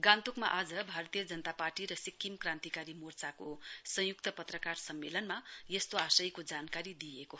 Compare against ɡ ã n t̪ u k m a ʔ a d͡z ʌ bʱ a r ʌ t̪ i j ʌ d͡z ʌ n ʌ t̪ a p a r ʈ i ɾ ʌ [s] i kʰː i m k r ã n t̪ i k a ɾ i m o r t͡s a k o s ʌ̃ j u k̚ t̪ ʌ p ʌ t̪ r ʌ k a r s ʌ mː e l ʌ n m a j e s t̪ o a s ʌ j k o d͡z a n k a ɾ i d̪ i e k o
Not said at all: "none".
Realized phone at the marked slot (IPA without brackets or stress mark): s